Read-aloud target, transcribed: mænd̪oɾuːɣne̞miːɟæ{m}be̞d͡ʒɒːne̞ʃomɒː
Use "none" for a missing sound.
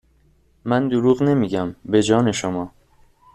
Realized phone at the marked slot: m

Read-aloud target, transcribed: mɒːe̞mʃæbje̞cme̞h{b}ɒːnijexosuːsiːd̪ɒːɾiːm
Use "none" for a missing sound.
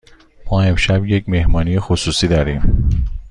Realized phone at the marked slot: m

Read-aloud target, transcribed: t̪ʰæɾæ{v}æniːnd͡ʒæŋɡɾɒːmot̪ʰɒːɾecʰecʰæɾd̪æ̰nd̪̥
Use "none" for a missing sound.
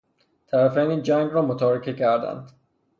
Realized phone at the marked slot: f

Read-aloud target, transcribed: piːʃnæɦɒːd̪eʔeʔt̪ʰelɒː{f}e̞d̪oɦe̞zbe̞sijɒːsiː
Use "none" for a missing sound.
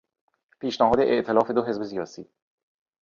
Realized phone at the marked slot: f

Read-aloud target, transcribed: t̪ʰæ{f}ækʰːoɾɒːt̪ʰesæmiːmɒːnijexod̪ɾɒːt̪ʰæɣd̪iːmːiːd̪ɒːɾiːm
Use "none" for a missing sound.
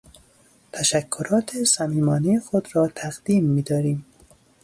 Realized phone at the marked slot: ʃ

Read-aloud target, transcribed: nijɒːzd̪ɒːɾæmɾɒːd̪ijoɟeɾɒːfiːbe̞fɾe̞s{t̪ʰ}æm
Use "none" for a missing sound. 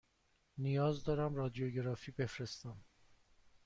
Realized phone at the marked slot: t̪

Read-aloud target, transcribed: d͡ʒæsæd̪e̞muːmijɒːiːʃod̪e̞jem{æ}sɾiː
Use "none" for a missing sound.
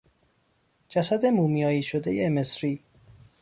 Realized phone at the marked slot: e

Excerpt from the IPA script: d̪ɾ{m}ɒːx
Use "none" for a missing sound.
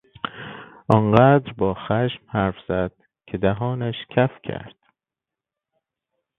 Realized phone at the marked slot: b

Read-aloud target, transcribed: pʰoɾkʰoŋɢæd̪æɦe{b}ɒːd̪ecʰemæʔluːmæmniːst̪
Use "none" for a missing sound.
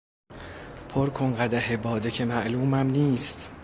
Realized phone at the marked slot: b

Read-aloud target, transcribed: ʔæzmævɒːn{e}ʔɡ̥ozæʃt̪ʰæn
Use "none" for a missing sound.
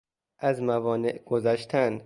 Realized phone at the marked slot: e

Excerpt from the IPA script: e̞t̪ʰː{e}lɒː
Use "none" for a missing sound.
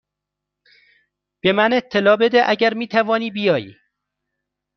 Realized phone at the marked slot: e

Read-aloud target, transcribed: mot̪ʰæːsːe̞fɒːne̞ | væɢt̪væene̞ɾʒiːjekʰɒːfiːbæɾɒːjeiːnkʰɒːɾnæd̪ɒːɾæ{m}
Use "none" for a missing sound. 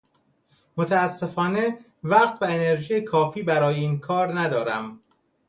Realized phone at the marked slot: m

